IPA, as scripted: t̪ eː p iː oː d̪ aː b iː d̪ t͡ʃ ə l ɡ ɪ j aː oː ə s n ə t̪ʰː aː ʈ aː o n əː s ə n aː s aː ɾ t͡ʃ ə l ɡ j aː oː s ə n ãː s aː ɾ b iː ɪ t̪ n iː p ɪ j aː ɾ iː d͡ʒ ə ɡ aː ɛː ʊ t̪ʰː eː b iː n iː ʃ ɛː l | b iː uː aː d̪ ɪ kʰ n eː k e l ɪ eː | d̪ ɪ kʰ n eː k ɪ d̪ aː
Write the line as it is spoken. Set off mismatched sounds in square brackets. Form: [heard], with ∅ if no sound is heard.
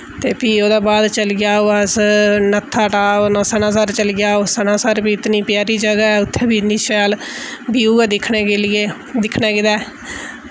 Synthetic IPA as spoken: t̪ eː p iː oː d̪ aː b [aː] d̪ t͡ʃ ə l ɡ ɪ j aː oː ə s n ə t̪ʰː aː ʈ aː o n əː s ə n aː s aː ɾ t͡ʃ ə l ɡ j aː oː s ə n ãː s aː ɾ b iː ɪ t̪ n iː p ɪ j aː ɾ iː d͡ʒ ə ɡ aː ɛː ʊ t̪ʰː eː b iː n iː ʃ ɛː l | b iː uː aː d̪ ɪ kʰ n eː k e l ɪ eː | d̪ ɪ kʰ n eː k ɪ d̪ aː